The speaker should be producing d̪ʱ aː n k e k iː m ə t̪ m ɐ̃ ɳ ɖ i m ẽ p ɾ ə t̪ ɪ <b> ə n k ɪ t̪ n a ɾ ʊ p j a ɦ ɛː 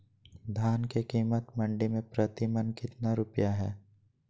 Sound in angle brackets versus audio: incorrect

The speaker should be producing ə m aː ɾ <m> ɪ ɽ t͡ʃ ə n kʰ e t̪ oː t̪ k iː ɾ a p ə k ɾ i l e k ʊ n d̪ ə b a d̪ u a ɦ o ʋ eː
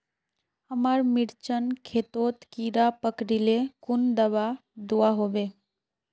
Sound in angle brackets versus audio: correct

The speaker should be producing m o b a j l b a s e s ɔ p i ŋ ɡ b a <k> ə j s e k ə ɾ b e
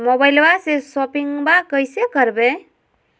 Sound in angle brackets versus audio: correct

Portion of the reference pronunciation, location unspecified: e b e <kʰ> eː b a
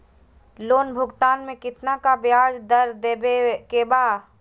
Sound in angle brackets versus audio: incorrect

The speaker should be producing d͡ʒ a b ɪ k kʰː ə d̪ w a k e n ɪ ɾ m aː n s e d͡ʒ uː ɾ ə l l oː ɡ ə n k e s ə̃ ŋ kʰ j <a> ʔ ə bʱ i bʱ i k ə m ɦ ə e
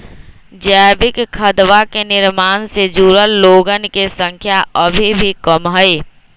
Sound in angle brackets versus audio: correct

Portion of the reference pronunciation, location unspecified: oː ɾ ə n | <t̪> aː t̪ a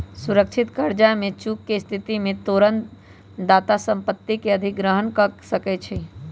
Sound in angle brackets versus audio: incorrect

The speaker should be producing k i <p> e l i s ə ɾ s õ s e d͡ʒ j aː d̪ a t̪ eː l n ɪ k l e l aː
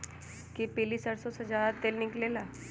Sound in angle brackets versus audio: correct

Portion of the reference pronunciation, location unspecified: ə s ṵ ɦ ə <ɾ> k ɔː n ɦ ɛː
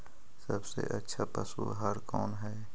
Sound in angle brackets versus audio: correct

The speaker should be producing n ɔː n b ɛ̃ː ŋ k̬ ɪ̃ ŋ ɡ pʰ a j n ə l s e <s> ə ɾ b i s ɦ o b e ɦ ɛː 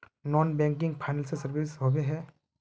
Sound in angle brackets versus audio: correct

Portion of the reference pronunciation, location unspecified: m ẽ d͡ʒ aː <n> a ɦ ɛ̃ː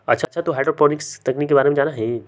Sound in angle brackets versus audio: correct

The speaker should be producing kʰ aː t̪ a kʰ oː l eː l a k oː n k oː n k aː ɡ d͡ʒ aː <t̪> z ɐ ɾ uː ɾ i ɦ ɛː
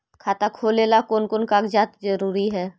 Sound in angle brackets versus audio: correct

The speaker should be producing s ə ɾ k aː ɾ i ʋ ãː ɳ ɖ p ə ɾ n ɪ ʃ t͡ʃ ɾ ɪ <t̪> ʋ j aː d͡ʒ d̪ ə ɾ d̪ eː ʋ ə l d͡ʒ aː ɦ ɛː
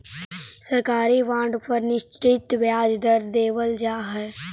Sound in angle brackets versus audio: correct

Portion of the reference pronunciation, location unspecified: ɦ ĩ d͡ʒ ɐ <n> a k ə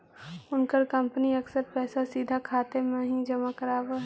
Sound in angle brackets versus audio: incorrect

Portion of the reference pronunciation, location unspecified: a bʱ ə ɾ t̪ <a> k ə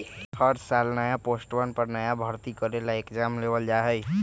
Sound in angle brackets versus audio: incorrect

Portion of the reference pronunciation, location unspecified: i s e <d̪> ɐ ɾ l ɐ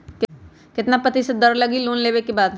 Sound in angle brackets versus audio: correct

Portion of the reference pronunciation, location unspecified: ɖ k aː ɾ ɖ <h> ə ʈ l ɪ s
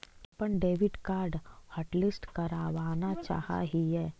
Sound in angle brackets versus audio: correct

